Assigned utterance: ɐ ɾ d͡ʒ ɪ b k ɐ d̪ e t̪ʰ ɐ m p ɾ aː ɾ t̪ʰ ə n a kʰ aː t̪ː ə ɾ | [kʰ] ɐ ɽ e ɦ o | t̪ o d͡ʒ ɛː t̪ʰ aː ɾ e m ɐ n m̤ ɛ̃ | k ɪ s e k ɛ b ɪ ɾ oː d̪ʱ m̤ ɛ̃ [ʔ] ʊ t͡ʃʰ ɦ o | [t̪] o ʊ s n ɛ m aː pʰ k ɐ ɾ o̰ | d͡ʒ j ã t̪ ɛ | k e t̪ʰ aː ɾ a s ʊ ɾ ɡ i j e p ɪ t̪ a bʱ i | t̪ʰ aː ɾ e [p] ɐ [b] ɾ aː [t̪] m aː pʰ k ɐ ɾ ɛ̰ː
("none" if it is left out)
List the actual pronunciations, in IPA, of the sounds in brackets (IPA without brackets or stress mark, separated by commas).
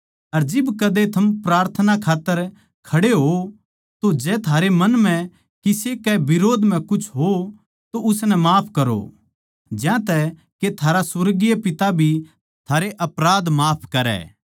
kʰ, k, t̪, ʔ, p, d̪